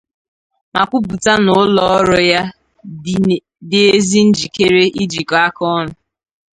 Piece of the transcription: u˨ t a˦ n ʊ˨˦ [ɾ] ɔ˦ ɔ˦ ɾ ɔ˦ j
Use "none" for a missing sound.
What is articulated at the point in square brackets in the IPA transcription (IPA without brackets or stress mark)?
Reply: l